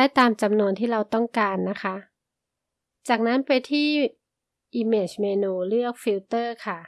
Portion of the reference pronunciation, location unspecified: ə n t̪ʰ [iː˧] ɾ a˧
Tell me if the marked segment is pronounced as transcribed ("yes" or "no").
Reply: no